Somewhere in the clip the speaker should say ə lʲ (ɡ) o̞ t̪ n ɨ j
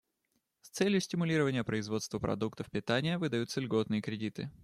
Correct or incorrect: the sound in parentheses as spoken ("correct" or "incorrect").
correct